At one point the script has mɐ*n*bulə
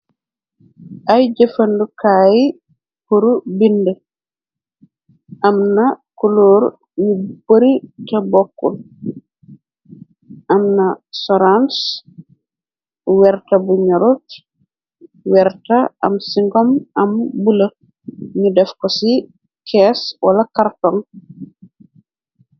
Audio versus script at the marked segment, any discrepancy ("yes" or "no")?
yes